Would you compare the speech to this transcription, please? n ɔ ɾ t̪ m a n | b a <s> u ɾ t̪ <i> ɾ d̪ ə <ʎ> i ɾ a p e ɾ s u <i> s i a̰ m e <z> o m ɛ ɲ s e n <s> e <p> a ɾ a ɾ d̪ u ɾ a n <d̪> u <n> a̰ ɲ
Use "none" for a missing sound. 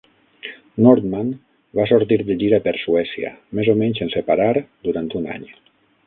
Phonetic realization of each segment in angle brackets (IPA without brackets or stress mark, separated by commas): s, i, ʎ, ɛ, z, s, p, t̪, n